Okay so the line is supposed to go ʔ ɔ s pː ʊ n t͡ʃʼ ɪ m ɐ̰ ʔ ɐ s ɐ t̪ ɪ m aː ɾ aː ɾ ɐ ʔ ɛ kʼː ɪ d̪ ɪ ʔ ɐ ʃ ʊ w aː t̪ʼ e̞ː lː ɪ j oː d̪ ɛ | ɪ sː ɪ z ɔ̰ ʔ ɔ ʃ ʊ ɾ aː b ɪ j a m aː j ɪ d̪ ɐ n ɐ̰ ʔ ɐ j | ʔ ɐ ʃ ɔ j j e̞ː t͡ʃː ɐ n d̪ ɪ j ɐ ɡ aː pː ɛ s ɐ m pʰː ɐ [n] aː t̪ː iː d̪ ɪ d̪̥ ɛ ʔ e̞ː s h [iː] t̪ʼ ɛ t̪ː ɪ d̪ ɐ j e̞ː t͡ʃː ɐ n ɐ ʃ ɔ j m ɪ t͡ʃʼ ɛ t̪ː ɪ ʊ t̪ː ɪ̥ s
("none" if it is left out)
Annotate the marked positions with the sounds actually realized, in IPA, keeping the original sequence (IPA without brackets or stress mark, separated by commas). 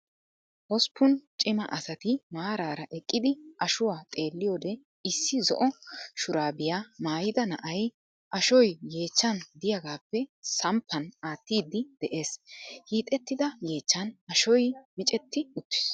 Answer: n, iː